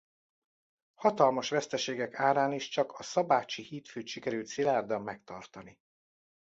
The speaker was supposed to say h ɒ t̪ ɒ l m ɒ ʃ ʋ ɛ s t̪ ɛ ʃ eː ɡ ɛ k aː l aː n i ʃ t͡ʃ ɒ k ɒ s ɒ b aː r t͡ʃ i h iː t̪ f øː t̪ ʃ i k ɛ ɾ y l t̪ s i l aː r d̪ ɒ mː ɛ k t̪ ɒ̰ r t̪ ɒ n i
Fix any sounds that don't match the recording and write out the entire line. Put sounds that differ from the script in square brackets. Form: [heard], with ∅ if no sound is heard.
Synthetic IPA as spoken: h ɒ t̪ ɒ l m ɒ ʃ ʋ ɛ s t̪ ɛ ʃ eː ɡ ɛ k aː [ɾ] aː n i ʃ t͡ʃ ɒ k ɒ s ɒ b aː [∅] t͡ʃ i h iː t̪ f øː t̪ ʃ i k ɛ ɾ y l t̪ s i l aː r d̪ ɒ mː ɛ k t̪ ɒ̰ r t̪ ɒ n i